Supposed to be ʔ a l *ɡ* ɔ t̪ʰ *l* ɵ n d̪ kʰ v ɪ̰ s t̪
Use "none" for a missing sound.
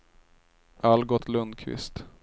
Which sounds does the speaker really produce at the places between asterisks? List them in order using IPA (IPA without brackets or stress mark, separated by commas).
ɡ, l